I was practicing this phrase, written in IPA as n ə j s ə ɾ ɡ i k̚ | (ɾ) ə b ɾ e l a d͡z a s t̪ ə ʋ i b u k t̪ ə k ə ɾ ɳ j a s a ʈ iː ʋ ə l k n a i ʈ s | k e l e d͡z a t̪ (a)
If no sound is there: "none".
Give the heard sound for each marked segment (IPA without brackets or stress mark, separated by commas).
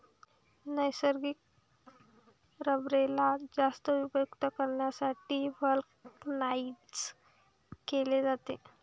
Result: ɾ, e